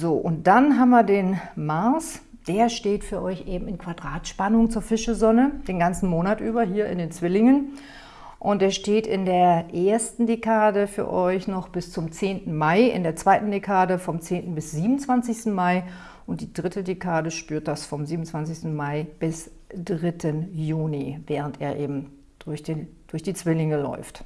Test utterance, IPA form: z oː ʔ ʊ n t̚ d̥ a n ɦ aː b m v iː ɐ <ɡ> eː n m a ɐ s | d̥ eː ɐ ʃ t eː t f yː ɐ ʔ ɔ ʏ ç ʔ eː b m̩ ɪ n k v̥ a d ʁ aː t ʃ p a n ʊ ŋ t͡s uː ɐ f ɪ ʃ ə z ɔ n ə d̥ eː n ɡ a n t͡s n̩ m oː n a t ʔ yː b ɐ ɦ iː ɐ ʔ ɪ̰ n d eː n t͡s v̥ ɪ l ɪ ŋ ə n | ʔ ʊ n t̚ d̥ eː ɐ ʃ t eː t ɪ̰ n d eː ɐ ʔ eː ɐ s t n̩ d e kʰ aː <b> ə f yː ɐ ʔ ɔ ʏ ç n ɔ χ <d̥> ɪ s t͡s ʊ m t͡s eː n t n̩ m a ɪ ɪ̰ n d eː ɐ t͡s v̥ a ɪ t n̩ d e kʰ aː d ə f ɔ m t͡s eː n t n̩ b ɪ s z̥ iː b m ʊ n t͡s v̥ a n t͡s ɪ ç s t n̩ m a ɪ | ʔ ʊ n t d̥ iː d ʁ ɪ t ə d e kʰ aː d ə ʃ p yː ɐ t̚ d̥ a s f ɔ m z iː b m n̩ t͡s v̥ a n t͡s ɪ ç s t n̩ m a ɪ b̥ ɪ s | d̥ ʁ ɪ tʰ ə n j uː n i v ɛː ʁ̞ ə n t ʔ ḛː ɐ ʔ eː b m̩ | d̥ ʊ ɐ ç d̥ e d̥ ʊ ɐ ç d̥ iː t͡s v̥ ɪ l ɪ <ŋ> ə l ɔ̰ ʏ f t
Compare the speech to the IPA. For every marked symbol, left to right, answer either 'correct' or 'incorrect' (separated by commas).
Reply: incorrect, incorrect, incorrect, correct